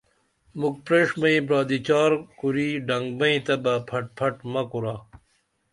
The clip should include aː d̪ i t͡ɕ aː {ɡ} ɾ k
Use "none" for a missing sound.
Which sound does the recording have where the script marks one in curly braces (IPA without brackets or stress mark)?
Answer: none